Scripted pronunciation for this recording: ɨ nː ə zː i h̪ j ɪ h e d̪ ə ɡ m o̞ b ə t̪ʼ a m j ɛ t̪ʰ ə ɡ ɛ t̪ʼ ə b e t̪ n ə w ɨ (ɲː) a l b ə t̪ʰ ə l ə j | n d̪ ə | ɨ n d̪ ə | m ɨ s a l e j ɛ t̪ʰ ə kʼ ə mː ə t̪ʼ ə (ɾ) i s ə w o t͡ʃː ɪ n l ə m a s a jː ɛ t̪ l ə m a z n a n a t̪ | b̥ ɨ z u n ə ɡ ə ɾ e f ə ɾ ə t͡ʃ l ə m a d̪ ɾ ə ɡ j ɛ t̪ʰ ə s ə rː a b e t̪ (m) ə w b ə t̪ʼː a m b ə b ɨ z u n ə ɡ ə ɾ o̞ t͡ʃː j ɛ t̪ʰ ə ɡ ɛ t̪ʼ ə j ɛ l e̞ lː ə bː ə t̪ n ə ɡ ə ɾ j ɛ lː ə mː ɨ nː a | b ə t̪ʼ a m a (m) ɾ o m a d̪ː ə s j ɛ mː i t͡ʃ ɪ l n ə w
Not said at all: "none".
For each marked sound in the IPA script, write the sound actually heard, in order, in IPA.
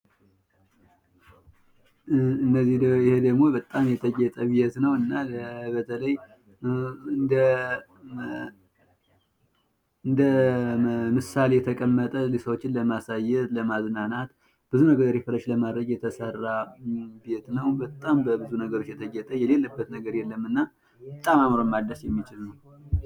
nː, l, n, m

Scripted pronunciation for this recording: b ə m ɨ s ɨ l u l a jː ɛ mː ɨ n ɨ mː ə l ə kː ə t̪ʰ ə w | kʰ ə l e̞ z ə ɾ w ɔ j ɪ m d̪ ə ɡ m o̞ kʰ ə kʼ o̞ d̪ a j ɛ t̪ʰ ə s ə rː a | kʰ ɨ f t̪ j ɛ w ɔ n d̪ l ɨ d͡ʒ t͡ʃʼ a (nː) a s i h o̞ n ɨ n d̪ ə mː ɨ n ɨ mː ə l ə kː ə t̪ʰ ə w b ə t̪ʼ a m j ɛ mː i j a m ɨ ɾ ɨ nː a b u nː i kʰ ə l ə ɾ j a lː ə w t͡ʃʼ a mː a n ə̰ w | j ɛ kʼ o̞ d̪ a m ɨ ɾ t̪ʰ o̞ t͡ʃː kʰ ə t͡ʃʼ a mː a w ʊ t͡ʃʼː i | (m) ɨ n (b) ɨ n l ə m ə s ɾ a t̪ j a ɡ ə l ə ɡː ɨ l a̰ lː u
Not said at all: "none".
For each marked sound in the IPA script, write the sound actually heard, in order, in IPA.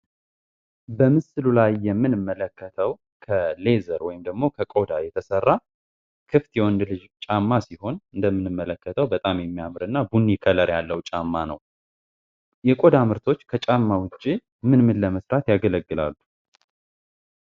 mː, m, m

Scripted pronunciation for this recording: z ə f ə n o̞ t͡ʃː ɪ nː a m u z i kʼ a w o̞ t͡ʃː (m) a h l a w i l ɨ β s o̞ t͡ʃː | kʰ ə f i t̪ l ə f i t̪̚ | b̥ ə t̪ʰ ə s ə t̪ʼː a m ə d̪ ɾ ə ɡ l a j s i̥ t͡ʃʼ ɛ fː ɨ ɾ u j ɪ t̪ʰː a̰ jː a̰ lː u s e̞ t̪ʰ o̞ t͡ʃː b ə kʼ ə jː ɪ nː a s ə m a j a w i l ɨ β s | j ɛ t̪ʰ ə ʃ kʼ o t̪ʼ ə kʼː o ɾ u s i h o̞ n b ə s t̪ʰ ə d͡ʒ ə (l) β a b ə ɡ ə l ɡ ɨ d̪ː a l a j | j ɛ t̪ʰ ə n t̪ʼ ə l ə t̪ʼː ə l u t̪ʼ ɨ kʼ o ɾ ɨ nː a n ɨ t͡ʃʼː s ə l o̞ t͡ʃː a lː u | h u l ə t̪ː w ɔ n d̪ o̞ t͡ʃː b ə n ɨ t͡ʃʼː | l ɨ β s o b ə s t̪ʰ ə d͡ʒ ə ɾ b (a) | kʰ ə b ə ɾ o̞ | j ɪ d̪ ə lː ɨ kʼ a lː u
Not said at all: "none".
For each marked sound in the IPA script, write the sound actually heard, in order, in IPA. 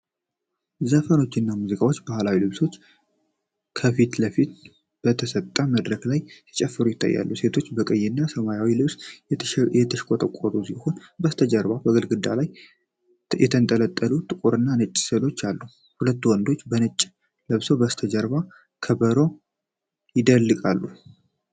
b, ɾ, a

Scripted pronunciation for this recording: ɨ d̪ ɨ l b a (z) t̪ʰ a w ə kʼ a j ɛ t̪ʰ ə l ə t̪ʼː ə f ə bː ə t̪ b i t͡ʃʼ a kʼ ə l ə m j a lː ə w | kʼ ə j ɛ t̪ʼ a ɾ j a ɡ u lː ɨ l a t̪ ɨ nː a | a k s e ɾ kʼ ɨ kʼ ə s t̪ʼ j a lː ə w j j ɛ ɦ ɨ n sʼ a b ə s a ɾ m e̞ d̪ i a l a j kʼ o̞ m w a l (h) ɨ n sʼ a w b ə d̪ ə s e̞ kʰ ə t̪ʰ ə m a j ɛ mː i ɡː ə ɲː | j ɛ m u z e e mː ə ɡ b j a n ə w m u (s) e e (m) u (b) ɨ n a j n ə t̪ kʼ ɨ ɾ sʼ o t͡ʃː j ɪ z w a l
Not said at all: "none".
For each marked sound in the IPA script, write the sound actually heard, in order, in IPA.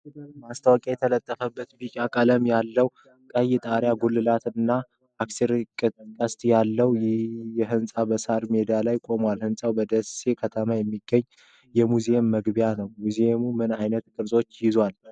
s, h, z, m, m

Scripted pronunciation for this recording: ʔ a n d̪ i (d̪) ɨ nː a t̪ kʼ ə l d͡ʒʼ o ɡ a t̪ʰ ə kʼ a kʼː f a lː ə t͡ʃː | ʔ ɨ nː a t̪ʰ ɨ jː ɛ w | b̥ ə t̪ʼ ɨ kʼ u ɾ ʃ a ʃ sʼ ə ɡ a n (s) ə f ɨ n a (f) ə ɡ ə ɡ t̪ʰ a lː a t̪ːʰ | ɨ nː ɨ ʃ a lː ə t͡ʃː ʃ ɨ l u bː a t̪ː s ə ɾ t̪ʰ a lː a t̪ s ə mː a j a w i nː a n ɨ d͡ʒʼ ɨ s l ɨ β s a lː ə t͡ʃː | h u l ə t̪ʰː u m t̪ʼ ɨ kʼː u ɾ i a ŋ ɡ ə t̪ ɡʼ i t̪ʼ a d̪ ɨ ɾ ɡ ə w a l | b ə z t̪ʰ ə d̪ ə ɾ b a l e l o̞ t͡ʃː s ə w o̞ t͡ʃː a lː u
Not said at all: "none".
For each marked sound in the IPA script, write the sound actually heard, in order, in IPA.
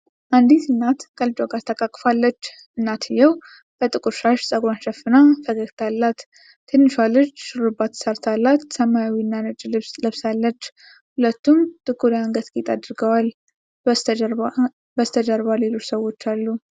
t̪, ʃ, f

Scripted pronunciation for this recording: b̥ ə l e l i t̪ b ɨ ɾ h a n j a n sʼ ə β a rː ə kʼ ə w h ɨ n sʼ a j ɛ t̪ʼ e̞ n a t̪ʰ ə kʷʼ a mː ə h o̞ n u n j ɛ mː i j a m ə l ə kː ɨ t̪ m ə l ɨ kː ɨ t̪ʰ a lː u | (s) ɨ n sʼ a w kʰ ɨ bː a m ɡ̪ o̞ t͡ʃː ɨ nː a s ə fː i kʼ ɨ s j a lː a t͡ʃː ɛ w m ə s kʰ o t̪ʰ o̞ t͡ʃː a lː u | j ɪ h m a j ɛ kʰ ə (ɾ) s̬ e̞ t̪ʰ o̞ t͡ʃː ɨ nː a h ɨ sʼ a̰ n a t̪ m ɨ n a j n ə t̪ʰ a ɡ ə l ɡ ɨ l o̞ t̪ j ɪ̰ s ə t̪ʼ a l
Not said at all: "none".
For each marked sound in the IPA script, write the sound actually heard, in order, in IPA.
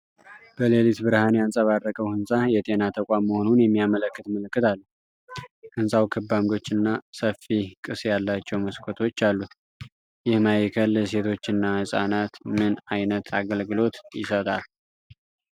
h, l

